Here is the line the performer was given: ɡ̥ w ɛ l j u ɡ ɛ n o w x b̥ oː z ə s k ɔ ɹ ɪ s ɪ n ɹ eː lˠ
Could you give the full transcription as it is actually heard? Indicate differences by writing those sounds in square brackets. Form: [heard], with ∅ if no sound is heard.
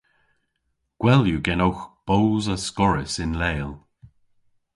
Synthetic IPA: ɡ̥ w ɛ l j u ɡ ɛ n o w x b̥ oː z ə s k ɔ ɹ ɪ s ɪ n [l] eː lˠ